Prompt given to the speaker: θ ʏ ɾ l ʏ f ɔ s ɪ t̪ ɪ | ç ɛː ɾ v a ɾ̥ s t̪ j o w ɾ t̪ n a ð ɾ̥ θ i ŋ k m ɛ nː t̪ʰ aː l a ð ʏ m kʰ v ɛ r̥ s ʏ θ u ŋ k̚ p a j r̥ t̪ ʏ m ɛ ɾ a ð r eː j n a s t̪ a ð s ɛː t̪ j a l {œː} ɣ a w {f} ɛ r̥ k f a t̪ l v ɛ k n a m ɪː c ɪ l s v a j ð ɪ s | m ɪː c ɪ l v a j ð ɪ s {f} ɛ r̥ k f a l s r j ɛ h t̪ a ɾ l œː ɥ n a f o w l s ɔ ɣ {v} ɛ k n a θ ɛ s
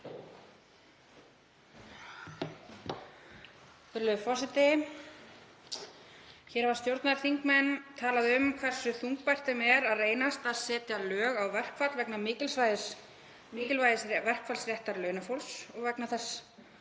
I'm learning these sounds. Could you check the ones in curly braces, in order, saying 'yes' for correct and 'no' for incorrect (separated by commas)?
yes, no, no, yes